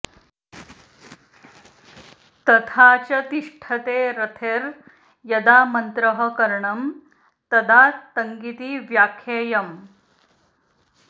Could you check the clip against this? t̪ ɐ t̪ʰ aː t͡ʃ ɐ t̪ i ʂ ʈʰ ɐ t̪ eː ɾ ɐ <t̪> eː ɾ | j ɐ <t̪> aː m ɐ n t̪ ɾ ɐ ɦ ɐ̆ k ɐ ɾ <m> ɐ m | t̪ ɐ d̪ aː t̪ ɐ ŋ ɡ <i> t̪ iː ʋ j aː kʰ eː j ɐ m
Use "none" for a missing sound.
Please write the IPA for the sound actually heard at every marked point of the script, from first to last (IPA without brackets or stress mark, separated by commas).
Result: t̪ʰ, d̪, ɳ, i